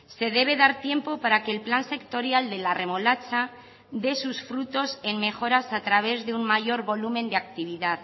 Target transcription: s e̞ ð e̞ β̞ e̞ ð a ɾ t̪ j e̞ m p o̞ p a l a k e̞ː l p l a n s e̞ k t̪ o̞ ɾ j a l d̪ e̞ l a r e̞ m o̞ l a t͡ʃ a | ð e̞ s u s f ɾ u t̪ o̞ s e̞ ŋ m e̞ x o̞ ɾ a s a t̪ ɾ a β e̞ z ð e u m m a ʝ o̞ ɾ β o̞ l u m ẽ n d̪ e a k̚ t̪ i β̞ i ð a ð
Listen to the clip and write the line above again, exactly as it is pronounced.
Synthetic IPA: s e̞ ð e̞ β̞ e̞ ð a ɾ t̪ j e̞ m p o̞ p a ɾ a k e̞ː l p l a n s e̞ k t̪ o̞ ɾ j a l d̪ e̞ l a r e̞ m o̞ l a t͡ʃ a | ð e̞ s u s f ɾ u t̪ o̞ s e̞ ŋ m e̞ x o̞ ɾ a s a t̪ ɾ a β e̞ z ð e u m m a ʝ o̞ ɾ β o̞ l u m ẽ n d̪ e a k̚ t̪ i β̞ i ð a ð

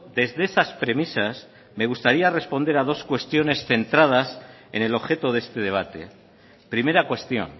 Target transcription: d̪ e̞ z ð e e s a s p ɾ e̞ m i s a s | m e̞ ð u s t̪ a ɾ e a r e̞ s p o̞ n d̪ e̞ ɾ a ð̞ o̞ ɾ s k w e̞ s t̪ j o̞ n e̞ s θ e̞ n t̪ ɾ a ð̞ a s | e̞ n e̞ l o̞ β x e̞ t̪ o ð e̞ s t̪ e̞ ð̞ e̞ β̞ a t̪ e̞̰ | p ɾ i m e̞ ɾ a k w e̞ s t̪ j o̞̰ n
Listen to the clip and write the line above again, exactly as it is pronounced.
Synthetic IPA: d̪ e̞ z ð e e s a s p ɾ e̞ m i s a s | m e̞ ɣ u s t̪ a ɾ i a r e̞ s p o̞ n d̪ e̞ ɾ a ð̞ o̞ s k w e̞ s t̪ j o̞ n e̞ s θ e̞ n t̪ ɾ a ð̞ a s | e̞ n e̞ l o̞ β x e̞ t̪ o ð e̞ s t̪ e̞ ð̞ e̞ β̞ a t̪ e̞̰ | p ɾ i m e̞ ɾ a k w e̞ s t̪ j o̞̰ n

